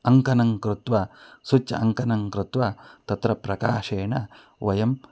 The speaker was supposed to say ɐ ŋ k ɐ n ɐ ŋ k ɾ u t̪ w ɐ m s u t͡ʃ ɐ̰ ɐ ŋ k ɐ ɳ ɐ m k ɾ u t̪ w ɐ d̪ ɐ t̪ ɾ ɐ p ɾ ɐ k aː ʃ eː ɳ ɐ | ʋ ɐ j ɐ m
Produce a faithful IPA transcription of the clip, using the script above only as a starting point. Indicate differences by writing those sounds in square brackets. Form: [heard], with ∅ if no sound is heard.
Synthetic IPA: ɐ ŋ k ɐ n ɐ ŋ k ɾ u t̪ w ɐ [∅] s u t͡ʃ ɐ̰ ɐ ŋ k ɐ [n] ɐ [ŋ] k ɾ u t̪ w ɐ [t̪] ɐ t̪ ɾ ɐ p ɾ ɐ k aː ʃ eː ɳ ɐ | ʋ ɐ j ɐ m